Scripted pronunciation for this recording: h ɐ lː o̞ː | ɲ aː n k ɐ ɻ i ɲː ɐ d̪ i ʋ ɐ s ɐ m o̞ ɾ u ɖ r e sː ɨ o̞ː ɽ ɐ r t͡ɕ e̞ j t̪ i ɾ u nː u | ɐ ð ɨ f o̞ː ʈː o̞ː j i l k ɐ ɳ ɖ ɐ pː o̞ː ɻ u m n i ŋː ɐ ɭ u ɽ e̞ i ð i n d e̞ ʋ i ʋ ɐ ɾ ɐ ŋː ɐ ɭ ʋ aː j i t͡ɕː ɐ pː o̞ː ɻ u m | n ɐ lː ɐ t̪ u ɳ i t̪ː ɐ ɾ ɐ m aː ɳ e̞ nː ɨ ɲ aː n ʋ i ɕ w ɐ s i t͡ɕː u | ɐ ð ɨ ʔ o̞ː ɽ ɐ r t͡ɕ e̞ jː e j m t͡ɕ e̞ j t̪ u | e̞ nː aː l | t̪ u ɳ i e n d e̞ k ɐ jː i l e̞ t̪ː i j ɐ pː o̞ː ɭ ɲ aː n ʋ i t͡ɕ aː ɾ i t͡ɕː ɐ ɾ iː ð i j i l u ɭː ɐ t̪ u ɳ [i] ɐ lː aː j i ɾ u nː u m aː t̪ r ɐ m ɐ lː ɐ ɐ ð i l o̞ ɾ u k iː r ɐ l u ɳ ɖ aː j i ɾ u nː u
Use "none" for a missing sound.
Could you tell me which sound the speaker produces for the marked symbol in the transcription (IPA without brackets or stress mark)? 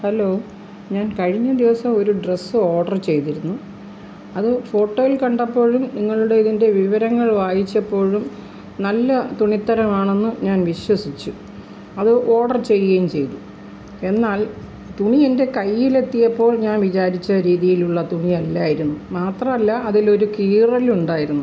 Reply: i